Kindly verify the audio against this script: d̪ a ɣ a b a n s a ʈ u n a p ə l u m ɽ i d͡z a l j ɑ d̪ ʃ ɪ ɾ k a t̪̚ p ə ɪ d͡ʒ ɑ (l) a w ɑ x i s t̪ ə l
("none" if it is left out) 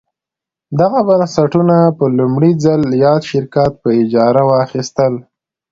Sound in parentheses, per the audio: ɾ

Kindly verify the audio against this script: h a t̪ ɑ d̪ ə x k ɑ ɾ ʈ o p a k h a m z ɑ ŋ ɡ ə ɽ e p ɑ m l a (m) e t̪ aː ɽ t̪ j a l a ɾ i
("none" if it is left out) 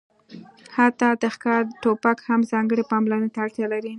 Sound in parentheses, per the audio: n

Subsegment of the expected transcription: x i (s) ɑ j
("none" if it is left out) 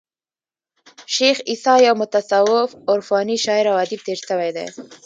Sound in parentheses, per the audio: s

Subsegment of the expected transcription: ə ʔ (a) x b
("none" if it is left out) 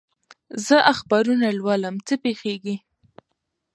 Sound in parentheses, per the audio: a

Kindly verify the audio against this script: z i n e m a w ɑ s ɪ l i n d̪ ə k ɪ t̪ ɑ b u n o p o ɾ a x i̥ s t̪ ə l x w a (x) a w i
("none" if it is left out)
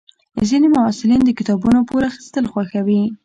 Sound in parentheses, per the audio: x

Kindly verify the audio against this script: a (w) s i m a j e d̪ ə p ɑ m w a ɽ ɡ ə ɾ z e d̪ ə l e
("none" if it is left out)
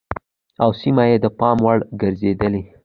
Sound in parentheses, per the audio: w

